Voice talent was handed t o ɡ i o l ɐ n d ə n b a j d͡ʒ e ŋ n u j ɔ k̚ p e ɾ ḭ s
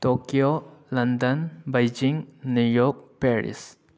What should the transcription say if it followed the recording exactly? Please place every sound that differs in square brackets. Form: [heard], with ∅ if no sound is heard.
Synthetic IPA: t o [k] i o l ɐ n d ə n b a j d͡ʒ [i] ŋ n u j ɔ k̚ p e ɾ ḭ s